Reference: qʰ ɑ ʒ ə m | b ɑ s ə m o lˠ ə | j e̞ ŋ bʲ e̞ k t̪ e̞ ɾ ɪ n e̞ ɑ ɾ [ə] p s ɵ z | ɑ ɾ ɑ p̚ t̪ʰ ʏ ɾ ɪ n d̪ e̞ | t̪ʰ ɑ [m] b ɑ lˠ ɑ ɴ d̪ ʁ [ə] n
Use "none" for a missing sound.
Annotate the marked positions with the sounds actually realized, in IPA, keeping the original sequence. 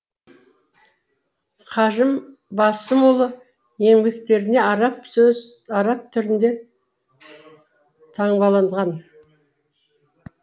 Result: ɑ, ɴ, ɑ

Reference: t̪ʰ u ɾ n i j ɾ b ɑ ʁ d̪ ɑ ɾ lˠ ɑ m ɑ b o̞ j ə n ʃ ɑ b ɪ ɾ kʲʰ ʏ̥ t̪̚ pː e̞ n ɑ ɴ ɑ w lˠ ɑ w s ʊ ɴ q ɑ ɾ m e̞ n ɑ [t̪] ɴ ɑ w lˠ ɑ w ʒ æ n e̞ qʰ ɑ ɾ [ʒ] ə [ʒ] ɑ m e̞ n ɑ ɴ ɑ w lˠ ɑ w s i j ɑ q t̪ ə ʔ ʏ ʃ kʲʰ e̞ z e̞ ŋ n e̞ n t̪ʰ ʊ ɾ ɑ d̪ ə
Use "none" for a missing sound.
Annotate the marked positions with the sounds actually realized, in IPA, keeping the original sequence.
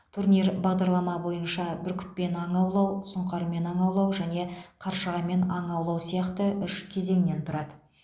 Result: none, ʃ, ʁ

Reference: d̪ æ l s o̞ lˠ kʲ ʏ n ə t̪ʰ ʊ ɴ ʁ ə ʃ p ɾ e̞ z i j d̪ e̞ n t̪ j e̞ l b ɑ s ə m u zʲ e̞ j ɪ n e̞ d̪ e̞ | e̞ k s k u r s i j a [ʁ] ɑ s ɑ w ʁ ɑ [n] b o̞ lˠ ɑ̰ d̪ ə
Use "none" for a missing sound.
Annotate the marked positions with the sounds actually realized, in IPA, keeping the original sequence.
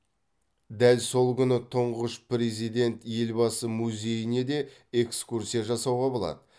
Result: ʒ, none

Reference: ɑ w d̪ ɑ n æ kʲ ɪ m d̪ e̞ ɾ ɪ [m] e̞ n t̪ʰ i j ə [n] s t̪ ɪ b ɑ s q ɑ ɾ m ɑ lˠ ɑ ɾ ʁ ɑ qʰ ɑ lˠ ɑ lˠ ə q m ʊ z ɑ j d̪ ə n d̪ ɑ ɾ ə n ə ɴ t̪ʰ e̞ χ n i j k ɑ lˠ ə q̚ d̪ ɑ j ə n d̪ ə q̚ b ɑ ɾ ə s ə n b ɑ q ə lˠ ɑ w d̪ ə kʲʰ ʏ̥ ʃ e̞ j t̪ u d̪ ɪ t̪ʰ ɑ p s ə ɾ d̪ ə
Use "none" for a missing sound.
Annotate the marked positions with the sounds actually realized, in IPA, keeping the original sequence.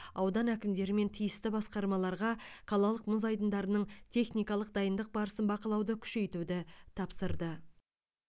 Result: m, none

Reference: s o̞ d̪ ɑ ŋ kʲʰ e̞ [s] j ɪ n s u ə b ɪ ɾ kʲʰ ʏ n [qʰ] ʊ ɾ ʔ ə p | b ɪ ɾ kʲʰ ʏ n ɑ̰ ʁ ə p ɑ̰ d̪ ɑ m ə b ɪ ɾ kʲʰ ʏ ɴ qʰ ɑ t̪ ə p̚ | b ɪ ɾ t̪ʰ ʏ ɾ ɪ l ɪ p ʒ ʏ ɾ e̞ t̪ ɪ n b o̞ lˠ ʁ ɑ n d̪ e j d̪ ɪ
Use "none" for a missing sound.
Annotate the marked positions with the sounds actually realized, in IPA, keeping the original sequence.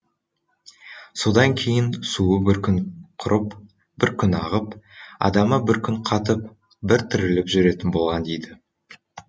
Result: none, qʰ

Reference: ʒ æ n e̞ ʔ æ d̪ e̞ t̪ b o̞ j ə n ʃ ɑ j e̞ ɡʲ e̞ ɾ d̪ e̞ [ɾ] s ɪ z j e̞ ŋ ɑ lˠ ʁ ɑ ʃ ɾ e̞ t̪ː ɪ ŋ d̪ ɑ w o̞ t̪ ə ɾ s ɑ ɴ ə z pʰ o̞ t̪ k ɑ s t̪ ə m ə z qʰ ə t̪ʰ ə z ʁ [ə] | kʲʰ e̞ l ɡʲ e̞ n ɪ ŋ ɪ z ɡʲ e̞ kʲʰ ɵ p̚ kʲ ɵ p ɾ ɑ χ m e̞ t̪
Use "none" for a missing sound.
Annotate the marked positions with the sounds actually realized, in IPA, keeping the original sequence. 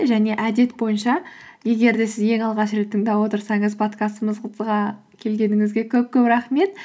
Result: none, ɑ

